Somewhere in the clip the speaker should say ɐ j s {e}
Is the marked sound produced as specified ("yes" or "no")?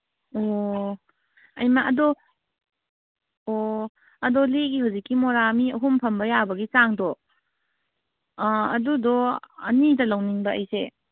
yes